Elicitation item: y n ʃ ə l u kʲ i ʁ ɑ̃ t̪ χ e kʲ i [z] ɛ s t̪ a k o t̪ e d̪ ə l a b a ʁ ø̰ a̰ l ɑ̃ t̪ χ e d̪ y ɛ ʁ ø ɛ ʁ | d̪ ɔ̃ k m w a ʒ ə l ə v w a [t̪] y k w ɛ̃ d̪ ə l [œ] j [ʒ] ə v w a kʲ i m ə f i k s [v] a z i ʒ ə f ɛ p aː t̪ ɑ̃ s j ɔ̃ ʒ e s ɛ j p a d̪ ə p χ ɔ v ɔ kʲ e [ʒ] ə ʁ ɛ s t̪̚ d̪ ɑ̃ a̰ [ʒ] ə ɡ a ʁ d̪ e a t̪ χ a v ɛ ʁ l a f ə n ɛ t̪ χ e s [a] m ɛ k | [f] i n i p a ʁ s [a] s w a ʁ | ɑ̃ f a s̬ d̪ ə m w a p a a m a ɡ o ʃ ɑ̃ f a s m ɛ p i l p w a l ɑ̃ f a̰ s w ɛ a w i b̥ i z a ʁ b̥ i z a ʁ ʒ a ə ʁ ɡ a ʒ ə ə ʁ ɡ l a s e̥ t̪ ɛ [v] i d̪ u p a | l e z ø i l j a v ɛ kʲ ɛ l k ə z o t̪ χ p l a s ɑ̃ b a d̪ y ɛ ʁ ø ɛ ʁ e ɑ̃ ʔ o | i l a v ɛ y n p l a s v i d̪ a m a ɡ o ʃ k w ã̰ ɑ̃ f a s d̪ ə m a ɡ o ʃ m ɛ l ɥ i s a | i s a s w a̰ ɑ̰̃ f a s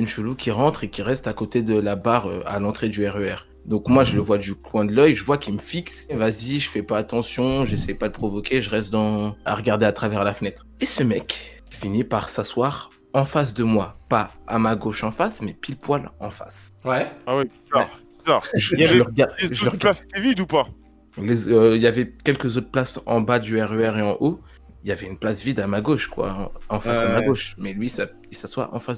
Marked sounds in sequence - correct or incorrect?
incorrect, incorrect, correct, correct, correct, correct, incorrect, incorrect, correct, correct, correct

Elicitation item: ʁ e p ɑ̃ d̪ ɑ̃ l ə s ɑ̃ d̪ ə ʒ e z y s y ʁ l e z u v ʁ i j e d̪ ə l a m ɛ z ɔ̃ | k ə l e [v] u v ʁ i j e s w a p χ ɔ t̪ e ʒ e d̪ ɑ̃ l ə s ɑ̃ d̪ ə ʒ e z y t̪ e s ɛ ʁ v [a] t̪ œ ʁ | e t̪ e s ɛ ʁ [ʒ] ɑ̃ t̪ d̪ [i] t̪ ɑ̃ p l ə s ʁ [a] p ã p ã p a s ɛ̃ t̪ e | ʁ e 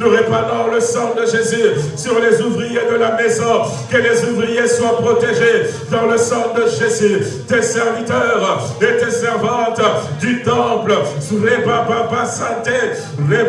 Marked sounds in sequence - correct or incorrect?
incorrect, incorrect, incorrect, incorrect, incorrect

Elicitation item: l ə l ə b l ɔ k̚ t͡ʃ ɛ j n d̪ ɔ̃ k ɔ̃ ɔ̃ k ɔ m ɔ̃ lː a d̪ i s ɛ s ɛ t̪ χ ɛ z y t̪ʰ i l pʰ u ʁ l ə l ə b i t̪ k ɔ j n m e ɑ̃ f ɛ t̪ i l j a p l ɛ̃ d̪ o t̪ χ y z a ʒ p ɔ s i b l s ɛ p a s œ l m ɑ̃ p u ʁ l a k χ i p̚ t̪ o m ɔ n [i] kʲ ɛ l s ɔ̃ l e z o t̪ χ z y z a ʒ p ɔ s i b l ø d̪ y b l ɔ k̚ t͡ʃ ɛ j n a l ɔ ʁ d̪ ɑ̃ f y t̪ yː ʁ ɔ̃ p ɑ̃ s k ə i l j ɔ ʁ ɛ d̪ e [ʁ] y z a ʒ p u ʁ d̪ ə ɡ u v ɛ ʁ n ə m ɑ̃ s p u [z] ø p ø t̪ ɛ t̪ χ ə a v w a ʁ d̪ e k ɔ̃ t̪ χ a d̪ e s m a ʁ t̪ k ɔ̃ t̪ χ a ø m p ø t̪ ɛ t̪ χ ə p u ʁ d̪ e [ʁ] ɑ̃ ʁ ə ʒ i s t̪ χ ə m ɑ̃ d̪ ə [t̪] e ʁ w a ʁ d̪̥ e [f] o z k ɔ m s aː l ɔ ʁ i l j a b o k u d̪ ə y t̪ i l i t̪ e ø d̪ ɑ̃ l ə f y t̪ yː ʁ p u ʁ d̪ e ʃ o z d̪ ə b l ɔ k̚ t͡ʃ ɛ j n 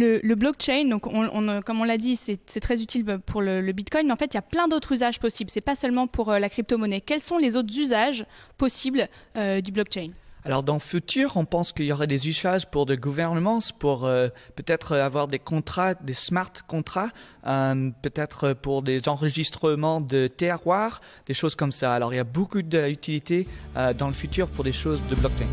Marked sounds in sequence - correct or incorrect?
incorrect, incorrect, incorrect, incorrect, correct, incorrect

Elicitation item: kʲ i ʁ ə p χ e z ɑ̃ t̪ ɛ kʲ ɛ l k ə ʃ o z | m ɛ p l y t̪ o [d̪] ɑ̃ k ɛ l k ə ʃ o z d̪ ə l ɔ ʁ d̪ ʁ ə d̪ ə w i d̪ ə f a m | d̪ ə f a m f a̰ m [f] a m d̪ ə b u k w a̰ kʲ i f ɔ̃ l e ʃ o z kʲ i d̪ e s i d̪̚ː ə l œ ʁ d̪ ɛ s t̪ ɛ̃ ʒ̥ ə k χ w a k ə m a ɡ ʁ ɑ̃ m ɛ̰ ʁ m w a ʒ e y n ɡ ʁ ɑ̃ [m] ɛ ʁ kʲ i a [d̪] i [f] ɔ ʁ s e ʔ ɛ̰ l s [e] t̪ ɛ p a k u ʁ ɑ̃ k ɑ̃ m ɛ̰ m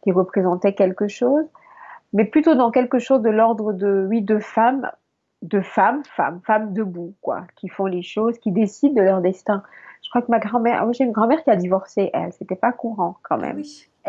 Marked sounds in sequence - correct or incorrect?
correct, correct, correct, correct, incorrect, correct

